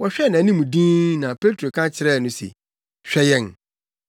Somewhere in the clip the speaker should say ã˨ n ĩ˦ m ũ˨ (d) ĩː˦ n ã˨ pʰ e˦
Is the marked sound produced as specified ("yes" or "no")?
yes